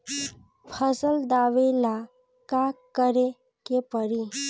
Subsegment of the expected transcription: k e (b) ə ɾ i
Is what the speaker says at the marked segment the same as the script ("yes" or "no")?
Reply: no